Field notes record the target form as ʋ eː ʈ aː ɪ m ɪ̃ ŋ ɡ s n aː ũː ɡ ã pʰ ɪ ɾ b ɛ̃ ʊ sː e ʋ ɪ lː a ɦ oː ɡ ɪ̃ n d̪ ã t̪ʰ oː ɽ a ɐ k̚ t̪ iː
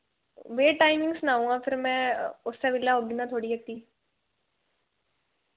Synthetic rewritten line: ʋ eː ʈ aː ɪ m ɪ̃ ŋ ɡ s n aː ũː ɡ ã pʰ ɪ ɾ m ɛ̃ ʊ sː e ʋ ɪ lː a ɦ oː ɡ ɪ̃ n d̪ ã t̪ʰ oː ɽ i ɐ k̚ t̪ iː